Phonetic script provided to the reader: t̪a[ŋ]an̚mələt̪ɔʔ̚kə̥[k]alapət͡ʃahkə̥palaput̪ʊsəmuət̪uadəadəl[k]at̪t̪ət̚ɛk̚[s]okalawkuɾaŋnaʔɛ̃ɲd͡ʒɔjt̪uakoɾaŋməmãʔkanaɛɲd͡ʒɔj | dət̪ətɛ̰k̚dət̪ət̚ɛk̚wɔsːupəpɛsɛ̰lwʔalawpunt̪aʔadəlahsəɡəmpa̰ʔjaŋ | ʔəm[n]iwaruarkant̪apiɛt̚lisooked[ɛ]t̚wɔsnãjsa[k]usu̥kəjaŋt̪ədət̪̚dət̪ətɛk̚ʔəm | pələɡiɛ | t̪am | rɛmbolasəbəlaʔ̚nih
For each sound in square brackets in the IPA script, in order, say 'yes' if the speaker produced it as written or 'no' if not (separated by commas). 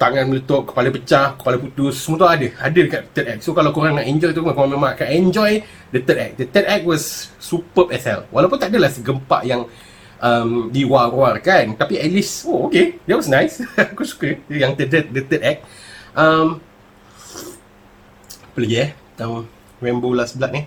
yes, no, yes, yes, no, yes, yes